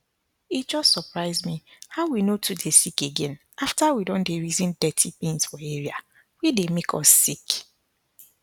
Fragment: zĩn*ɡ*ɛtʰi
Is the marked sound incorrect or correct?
incorrect